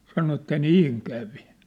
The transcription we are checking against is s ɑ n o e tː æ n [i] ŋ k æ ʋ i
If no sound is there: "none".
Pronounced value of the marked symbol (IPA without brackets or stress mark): iː